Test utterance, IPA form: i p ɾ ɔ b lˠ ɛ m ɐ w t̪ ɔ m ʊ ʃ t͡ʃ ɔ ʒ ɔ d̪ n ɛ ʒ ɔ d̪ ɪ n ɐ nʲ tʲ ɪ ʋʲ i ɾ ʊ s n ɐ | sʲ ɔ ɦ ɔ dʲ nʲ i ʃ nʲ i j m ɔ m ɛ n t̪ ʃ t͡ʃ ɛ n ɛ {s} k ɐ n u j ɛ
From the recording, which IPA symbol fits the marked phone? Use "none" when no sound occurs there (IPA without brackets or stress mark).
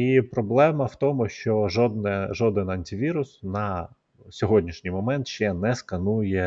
s